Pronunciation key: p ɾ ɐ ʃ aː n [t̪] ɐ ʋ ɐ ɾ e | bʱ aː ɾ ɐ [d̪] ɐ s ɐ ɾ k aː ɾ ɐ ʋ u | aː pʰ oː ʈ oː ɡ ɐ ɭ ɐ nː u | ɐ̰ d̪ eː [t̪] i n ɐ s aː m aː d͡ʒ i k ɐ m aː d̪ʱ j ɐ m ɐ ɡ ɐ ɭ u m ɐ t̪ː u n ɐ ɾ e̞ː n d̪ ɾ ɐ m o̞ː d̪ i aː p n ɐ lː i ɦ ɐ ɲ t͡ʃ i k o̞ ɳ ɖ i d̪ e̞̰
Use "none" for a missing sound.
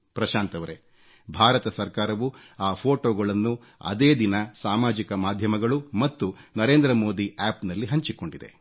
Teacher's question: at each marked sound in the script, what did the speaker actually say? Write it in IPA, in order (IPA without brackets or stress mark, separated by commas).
t̪, t̪, d̪